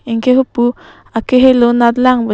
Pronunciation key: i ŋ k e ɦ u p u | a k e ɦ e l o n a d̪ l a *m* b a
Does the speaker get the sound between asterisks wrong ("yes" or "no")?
yes